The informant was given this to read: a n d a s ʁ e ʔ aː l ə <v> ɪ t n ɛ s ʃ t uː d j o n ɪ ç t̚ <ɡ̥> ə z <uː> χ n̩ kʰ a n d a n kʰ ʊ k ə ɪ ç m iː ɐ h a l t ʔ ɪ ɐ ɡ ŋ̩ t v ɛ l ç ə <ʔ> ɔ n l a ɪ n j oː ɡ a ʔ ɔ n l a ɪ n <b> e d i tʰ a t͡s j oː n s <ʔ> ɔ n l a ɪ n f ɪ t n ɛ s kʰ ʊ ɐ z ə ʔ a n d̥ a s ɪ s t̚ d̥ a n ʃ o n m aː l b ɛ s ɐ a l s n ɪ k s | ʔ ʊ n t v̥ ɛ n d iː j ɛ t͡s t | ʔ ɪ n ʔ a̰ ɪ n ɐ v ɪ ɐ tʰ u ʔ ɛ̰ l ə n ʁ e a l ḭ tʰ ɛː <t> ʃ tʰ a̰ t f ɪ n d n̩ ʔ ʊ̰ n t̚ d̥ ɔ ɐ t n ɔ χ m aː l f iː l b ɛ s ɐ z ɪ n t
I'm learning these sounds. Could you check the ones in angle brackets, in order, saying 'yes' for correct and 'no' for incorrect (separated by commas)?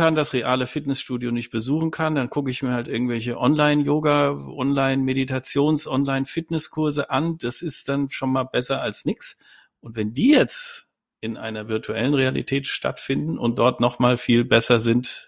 no, no, yes, yes, no, yes, yes